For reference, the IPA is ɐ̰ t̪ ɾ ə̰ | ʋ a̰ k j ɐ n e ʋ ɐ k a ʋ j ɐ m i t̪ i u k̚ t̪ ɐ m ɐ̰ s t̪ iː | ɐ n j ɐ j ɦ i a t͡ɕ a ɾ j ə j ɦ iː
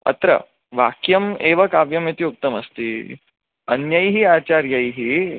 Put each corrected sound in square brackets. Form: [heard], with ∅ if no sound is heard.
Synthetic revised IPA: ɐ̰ t̪ ɾ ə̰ | ʋ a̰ k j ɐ [m] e ʋ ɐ k a ʋ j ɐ m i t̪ i u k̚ t̪ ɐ m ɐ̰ s t̪ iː | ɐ n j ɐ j ɦ i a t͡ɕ a ɾ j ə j ɦ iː